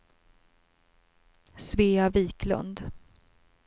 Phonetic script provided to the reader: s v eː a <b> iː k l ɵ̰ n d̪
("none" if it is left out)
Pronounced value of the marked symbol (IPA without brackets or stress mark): v